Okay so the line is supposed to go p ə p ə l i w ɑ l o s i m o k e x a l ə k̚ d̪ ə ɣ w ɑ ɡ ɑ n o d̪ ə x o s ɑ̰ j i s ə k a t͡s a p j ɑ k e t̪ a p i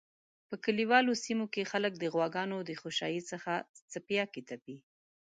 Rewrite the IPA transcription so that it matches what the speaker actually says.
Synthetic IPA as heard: p ə k ə l i w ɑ l o s i m o k e x a l ə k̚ d̪ ə ɣ w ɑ ɡ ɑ n o d̪ ə x o ʃ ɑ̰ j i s ə x a t͡s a p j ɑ k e t̪ a p i